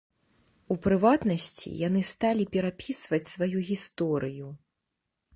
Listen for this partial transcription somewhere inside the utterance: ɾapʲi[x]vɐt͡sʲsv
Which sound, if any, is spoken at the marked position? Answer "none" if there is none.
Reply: s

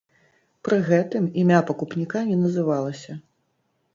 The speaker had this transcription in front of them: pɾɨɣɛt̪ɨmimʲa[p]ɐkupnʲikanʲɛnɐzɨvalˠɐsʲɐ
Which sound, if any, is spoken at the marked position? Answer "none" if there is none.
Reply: p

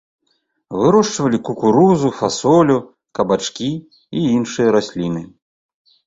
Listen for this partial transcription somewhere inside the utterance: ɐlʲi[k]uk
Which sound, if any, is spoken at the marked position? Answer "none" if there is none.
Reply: k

